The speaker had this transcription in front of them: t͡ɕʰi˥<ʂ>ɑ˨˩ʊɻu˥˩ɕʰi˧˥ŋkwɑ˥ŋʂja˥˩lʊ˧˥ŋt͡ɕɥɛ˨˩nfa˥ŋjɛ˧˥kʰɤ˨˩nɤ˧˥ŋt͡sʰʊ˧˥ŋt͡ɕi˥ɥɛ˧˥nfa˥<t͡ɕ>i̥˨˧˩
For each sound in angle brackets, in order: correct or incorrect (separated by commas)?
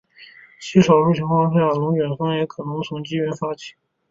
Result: correct, incorrect